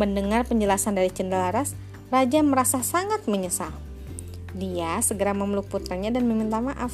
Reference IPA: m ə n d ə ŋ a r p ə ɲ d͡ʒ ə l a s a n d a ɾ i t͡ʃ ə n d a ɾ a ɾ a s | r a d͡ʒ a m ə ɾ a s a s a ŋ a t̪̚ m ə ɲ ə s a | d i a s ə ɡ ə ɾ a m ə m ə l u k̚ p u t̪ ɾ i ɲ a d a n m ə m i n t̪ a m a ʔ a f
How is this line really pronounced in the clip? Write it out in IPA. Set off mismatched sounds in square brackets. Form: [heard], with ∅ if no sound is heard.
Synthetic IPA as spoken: m ə n d ə ŋ a r p ə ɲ d͡ʒ ə l a s a n d a ɾ i t͡ʃ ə n d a [l] a ɾ a s | r a d͡ʒ a m ə ɾ a s a s a ŋ a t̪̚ m ə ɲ ə s a | d i a s ə ɡ ə ɾ a m ə m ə l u k̚ p u t̪ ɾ [a] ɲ a d a n m ə m i n t̪ a m a ʔ a f